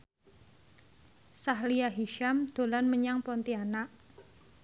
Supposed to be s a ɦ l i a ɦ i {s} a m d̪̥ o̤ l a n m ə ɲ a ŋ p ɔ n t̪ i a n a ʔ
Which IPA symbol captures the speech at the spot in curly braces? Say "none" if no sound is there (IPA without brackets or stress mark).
ʃ